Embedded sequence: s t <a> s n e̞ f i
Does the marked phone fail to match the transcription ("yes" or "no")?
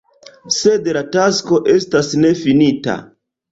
no